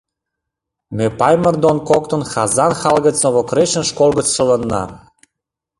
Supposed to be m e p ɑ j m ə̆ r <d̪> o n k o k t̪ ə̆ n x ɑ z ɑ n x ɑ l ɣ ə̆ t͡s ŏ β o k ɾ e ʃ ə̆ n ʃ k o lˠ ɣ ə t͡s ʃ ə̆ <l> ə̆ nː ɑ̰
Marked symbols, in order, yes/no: yes, yes

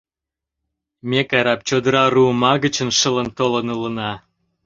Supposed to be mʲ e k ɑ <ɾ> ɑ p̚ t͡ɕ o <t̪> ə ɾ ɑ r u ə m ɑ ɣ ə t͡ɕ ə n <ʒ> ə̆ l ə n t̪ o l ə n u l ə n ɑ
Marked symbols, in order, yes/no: yes, no, no

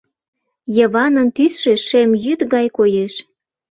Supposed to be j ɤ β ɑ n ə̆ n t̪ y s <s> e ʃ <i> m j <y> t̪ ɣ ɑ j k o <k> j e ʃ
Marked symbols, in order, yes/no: no, no, yes, no

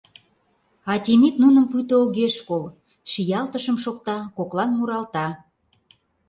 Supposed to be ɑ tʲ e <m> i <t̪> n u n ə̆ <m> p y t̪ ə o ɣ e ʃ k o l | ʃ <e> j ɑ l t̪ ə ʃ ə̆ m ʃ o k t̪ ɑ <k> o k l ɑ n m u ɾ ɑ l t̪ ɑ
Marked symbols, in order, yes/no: yes, yes, yes, no, yes

